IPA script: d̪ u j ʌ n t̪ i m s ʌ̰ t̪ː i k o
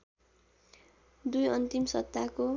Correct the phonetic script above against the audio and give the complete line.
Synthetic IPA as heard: d̪ u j ʌ n t̪ i m s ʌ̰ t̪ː a k o